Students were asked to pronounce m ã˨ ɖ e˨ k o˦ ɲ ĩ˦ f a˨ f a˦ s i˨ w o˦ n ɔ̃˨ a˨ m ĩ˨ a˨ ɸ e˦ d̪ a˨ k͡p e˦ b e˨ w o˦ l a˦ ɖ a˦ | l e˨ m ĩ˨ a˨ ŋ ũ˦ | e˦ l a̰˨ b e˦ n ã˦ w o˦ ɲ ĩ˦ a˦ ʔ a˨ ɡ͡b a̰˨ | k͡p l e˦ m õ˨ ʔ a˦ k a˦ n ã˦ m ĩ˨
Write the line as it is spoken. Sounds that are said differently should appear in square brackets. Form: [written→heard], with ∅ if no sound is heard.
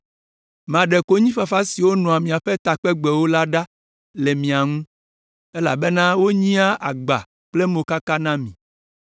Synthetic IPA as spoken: m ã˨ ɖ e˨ k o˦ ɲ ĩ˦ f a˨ f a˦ s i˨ w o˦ n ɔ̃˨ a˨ m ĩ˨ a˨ ɸ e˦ [d̪→t̪] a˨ k͡p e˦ [b→ɡ͡b] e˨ w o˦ l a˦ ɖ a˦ | l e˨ m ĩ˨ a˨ ŋ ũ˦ | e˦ l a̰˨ b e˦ n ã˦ w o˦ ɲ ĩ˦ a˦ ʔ a˨ ɡ͡b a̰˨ | k͡p l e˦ m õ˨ [ʔ→k] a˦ k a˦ n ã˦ m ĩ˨